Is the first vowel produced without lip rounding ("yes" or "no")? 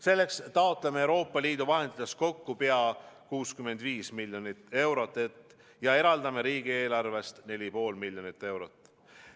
yes